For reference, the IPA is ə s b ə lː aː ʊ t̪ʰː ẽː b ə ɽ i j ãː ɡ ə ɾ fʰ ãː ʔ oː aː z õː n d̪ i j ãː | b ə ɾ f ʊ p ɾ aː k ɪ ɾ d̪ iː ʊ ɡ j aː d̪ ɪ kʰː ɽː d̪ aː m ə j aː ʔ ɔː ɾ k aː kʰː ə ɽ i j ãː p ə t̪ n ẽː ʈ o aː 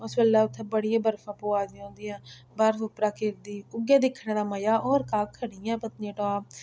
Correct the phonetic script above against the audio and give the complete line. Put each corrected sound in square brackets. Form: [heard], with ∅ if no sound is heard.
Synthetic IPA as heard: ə s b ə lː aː ʊ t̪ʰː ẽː b ə ɽ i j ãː [b] ə ɾ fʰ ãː [p] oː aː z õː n d̪ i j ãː | b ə ɾ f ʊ p ɾ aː k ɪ ɾ d̪ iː ʊ ɡ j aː d̪ ɪ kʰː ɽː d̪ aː m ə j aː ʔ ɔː ɾ k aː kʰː ə ɽ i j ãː p ə t̪ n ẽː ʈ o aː